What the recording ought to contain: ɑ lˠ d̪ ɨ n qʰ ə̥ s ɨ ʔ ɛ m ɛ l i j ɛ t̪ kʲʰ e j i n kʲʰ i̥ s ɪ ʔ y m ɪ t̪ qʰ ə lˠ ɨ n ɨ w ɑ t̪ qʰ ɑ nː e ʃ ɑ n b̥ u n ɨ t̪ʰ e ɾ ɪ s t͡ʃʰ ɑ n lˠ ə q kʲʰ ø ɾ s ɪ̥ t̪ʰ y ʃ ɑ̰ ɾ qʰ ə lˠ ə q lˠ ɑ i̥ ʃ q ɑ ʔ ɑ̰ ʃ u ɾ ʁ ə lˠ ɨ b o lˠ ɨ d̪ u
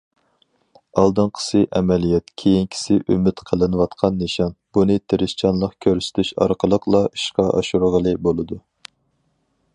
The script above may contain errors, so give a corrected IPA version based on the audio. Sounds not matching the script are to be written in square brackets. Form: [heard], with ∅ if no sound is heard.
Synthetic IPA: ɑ lˠ d̪ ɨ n qʰ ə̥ s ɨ ʔ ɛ m ɛ l i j ɛ t̪ kʲʰ e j i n kʲʰ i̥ s ɪ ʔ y m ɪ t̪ qʰ ə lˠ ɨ n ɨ w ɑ t̪ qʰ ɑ nː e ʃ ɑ n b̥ u n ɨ t̪ʰ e ɾ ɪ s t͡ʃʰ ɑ n lˠ ə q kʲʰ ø ɾ s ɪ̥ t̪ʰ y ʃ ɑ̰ ɾ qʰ ə lˠ ə q lˠ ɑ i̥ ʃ q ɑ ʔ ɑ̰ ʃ u ɾ ʁ ə lˠ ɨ b o lˠ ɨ d̪ u